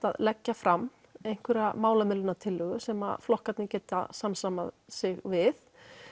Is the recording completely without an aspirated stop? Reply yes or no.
no